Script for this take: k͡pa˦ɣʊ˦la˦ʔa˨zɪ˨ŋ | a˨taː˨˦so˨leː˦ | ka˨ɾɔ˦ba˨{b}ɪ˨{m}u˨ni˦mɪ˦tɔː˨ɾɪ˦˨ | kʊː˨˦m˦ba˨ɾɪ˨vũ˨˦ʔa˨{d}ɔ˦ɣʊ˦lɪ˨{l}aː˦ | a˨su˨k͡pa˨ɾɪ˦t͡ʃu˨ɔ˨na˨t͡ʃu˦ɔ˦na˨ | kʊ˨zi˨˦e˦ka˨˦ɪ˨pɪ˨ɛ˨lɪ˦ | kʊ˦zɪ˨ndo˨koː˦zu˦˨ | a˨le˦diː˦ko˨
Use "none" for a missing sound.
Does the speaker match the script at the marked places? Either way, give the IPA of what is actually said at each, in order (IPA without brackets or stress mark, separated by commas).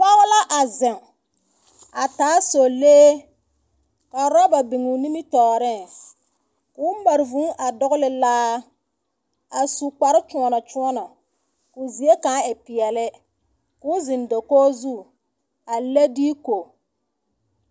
b, ŋ, d, l